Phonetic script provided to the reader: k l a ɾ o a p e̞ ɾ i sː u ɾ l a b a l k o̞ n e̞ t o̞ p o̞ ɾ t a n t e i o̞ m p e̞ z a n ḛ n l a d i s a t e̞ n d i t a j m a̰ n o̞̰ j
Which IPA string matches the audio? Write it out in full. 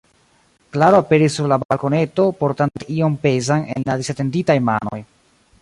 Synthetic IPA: k l a ɾ o a p e̞ ɾ i sː u ɾ l a b a l k o̞ n e̞ t o̞ p o̞ ɾ t a n t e i o̞ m p e̞ z a n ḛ n l a d i s a t e̞ n d i t a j m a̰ n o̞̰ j

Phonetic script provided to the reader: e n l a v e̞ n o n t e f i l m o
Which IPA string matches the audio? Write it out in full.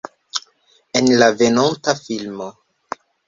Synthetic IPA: e n l a v e̞ n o n t a f i l m o

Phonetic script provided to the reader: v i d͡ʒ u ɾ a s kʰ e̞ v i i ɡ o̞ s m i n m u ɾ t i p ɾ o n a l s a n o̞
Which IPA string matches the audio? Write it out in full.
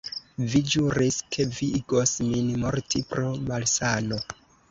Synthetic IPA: v i d͡ʒ u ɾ i s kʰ e̞ v i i ɡ o̞ s m i n m o ɾ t i p ɾ o m a l s a n o̞

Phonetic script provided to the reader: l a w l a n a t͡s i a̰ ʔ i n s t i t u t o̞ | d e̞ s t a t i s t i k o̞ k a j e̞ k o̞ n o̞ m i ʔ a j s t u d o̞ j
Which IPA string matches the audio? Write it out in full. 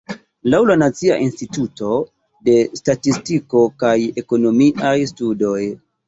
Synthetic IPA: l a w l a n a t͡s i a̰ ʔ i n s t i t u t o̞ | d e̞ s t a t i s t i k o̞ k a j e̞ k o̞ n o̞ m i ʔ a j s t u d o̞ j

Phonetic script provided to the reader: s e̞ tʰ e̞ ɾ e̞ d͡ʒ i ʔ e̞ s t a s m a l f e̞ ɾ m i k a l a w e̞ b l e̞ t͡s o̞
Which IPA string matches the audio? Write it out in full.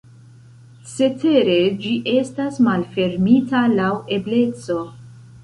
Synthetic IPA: s e̞ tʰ e̞ ɾ e̞ d͡ʒ i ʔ e̞ s t a s m a l f e̞ ɾ m i t a l a w e̞ b l e̞ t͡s o̞

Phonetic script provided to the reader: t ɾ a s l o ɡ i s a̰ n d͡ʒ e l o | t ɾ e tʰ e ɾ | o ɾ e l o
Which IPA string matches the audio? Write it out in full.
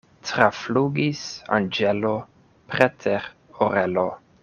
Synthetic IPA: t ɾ a f l u ɡ i s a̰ n d͡ʒ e l o | p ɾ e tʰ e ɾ | o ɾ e l o

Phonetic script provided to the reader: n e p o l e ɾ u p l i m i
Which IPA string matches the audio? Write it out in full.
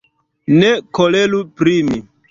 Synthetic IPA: n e k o l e l u p ɾ i m i

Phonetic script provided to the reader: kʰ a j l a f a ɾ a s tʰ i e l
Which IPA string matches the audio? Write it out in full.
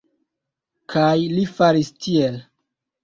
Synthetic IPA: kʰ a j l i f a ɾ i s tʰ i e l

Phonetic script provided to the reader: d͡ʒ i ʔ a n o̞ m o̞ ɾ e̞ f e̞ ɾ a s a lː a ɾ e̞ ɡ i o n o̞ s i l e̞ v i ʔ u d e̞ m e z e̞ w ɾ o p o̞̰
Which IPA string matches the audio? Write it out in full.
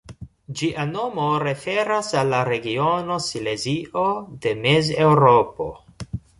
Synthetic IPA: d͡ʒ i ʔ a n o̞ m o̞ ɾ e̞ f e̞ ɾ a s a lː a ɾ e̞ ɡ i o n o̞ s i l e̞ z i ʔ o d e̞ m e z e̞ w ɾ o p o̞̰

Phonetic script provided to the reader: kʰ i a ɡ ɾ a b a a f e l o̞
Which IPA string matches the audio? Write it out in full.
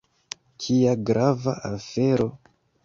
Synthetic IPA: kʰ i a ɡ ɾ a v a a f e ɾ o̞

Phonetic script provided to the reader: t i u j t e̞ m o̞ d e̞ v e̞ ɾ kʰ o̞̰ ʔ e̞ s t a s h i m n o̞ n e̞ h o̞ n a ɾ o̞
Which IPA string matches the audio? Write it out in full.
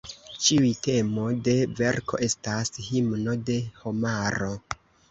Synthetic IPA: t͡ʃ i u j t e̞ m o̞ d e̞ v e̞ ɾ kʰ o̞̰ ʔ e̞ s t a s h i m n o̞ d e̞ h o̞ m a ɾ o̞

